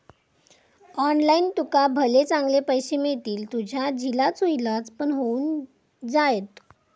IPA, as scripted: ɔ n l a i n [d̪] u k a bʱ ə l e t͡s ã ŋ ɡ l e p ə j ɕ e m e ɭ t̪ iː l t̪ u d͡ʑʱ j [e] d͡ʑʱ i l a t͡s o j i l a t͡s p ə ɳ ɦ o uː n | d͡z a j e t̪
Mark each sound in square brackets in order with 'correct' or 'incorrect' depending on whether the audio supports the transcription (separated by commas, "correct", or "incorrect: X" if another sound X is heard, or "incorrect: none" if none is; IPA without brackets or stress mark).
incorrect: t̪, incorrect: a